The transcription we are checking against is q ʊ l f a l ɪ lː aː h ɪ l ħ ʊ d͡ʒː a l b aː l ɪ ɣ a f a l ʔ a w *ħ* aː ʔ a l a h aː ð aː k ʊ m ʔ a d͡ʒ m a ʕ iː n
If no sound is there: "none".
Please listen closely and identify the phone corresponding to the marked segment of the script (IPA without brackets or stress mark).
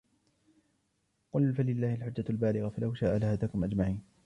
ʃ